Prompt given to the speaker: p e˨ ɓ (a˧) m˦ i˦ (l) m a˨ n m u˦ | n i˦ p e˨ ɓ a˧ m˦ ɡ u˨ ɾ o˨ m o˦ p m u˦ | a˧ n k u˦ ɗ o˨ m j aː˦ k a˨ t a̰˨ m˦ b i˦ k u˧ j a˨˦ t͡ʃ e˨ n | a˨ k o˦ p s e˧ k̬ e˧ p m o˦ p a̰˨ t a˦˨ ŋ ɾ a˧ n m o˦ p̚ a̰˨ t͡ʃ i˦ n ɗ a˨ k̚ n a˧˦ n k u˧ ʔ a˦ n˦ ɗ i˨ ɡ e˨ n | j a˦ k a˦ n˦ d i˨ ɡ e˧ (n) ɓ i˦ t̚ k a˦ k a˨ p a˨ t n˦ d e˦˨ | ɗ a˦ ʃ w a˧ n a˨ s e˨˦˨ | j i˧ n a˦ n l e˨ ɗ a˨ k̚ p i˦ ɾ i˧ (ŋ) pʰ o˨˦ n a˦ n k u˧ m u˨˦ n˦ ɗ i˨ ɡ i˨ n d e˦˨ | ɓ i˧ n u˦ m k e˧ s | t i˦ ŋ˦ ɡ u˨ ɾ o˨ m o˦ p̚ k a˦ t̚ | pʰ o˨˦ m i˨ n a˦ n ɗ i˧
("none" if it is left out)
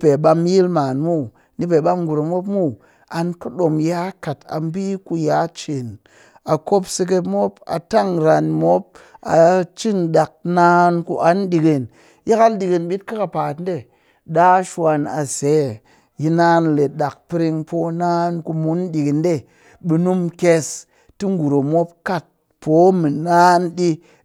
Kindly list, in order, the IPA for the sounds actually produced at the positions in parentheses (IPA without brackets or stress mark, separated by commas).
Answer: a˧, l, n, ŋ